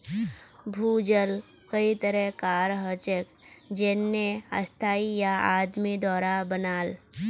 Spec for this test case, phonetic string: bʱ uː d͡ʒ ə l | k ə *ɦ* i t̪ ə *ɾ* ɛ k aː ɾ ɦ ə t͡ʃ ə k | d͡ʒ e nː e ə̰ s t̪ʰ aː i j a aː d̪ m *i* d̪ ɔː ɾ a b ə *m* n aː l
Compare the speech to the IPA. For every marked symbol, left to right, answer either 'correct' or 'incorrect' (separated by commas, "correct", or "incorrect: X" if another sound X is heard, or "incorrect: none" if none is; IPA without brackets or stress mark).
incorrect: none, correct, correct, incorrect: none